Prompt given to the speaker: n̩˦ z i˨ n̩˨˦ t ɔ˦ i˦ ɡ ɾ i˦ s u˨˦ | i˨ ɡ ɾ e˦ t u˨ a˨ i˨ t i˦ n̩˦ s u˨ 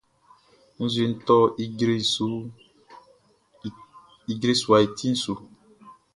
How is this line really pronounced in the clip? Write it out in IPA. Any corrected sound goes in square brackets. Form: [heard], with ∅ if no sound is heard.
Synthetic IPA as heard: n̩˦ z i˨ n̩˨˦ t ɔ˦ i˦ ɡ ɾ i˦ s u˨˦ | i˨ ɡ ɾ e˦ [s] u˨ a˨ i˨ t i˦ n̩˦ s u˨